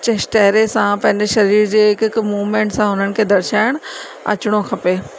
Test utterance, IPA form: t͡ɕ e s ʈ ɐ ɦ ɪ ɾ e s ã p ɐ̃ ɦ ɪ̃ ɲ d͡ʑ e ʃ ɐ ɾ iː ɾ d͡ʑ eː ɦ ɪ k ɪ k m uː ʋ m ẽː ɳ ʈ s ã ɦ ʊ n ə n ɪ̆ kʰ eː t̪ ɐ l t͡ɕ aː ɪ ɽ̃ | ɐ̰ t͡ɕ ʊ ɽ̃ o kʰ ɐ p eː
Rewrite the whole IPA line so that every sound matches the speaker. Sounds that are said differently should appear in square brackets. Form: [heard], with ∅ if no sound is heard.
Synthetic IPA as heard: t͡ɕ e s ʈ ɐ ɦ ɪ ɾ e s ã p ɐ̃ ɦ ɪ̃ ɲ d͡ʑ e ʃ ɐ ɾ iː ɾ d͡ʑ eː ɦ ɪ k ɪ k m uː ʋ m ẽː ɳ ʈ s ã ɦ ʊ n ə n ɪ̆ kʰ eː [d̪] ɐ [ɾ] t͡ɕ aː ɪ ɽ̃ | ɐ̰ t͡ɕ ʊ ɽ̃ o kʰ ɐ p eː